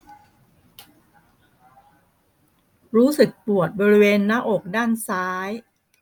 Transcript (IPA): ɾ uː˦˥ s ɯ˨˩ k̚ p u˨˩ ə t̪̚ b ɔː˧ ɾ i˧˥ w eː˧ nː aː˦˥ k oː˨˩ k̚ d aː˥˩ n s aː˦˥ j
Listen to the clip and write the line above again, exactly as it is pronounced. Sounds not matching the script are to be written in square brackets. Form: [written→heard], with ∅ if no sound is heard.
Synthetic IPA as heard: ɾ uː˦˥ s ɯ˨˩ k̚ p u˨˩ ə t̪̚ b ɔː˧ ɾ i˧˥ w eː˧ nː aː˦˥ [k→ʔ] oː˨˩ k̚ d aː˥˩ n s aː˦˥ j